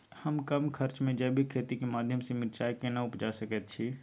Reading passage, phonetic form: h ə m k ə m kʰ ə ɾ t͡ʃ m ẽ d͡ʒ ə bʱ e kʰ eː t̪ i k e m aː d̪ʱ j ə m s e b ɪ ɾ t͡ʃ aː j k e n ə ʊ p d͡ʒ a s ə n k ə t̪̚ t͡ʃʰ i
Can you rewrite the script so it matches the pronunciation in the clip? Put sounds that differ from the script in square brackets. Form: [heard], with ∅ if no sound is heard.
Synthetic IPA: h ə m k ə m kʰ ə ɾ t͡ʃ m ẽ d͡ʒ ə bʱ [i] kʰ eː t̪ i k e m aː d̪ʱ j ə m s e [m] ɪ ɾ t͡ʃ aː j k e n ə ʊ p d͡ʒ a s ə [∅] k ə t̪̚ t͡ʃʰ i